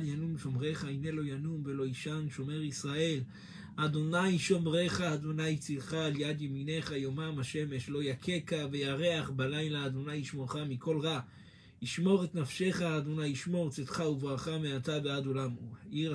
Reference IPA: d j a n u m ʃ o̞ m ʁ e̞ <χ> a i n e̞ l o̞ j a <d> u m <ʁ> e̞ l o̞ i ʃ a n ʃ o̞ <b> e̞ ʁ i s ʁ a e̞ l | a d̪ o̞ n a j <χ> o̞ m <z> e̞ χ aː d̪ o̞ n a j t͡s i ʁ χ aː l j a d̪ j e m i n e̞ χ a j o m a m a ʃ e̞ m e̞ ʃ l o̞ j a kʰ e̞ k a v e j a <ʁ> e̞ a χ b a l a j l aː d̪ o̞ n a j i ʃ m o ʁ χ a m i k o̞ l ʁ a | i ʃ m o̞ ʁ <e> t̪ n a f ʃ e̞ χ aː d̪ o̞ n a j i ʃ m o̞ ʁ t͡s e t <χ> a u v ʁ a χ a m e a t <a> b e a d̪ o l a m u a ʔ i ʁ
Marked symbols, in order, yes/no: yes, no, no, no, no, no, yes, yes, yes, yes

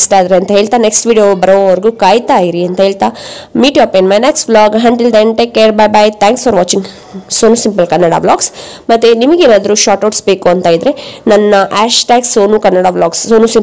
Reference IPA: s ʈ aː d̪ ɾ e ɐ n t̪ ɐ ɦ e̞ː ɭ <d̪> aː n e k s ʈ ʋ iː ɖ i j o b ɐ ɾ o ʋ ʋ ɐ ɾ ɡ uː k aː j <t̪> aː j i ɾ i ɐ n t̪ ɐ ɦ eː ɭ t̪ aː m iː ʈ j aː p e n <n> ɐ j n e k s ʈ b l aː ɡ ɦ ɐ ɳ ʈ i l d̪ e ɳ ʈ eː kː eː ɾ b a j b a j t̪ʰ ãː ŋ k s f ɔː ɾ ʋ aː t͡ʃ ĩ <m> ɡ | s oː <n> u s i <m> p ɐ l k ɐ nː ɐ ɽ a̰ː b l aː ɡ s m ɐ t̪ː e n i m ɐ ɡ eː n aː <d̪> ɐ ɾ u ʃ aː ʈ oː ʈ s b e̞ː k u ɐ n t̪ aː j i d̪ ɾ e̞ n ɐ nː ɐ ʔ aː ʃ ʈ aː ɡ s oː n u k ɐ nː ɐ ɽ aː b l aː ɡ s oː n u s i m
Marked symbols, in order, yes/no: no, yes, no, no, yes, yes, yes

